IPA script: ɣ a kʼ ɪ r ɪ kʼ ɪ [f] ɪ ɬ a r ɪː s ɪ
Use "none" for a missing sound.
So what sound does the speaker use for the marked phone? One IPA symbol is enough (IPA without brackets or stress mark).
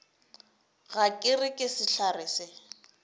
s